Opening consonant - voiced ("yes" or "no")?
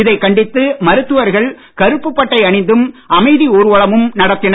yes